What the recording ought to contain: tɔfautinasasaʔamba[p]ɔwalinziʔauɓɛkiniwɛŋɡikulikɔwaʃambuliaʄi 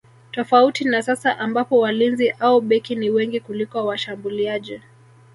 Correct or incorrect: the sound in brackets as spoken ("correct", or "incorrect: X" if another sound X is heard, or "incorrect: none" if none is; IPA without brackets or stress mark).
correct